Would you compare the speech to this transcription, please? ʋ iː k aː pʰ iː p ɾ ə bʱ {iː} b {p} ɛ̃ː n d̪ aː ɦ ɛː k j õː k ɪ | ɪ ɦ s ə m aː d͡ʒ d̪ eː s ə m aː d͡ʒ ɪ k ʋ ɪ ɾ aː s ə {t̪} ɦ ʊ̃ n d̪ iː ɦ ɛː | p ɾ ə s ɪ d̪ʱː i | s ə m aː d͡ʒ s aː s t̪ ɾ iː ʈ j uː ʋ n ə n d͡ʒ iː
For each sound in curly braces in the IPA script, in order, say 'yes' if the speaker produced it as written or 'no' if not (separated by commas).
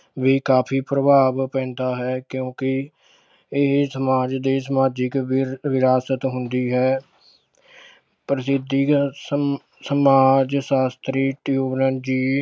no, yes, yes